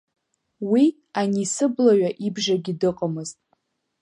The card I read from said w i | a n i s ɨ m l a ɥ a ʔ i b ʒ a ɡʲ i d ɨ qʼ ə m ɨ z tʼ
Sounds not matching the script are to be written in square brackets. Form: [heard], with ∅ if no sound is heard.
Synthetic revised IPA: w i | a n i s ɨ [b] l a ɥ a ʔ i b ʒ a ɡʲ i d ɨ qʼ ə m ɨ z tʼ